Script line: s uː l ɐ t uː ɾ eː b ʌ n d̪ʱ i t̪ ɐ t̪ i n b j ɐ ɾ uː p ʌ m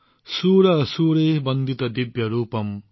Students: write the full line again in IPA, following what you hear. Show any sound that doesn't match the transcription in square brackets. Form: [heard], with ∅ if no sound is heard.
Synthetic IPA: s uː [ɾ] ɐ [s] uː ɾ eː b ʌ n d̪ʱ i t̪ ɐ [d̪] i [∅] b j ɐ ɾ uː p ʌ m